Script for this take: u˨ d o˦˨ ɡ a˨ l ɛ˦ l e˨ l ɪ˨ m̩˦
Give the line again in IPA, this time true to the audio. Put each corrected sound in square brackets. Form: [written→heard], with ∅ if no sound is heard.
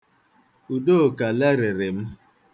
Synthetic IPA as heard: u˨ d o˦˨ [ɡ→k] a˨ l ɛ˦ [l→ɾ] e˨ [l→ɾ] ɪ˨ m̩˦